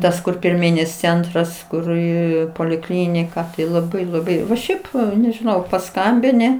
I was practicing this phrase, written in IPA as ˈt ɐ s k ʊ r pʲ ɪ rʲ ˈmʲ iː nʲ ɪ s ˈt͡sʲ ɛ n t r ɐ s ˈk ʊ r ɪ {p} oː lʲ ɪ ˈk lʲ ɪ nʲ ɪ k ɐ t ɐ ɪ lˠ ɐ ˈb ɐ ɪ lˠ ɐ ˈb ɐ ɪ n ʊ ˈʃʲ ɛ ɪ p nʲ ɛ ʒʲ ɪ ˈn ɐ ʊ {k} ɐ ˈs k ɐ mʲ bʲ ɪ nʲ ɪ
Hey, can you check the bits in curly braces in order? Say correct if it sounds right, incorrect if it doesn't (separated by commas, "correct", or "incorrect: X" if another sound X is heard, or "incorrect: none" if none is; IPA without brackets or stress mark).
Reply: correct, incorrect: p